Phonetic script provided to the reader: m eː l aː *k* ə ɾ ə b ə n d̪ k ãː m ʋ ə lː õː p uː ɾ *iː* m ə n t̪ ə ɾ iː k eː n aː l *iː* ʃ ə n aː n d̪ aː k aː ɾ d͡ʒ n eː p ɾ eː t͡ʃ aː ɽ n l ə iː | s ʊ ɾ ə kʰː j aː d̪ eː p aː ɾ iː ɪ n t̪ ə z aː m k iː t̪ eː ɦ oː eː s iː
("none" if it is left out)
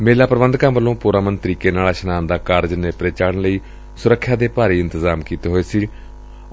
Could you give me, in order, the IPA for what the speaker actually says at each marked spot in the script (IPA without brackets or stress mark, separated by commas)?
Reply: p, aː, aː